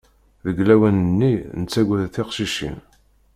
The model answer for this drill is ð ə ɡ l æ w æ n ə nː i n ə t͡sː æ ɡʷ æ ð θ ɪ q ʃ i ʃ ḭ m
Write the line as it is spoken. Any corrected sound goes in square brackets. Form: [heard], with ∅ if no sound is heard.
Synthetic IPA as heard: ð ə ɡ l æ w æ n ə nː i n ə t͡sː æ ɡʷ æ ð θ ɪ q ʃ i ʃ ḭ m